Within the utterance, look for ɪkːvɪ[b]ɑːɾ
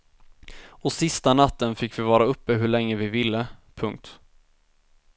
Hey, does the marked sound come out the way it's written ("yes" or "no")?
no